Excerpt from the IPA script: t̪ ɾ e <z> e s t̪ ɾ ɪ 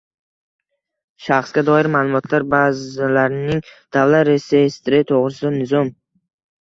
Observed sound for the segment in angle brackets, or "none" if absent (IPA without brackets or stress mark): s